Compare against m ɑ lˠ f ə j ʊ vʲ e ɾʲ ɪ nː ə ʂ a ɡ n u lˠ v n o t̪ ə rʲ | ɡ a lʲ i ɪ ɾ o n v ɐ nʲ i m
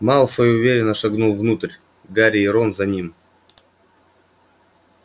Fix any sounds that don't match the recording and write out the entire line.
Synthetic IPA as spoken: m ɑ lˠ f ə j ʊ vʲ e ɾʲ ɪ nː ə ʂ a ɡ n u lˠ v n u t̪ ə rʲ | ɡ a ɾʲ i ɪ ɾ o n z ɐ nʲ i m